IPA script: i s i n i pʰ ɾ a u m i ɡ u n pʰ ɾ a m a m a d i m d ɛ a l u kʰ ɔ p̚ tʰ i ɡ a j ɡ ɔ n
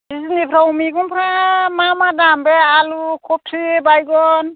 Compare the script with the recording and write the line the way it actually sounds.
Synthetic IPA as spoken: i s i n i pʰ ɾ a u m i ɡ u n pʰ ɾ a m a m a d a m b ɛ a l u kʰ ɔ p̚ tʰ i b a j ɡ ɔ n